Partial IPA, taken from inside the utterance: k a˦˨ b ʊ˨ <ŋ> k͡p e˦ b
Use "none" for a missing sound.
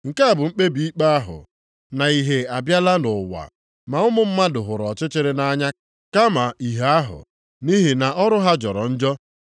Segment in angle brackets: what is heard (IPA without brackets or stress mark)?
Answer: ŋ͡m̩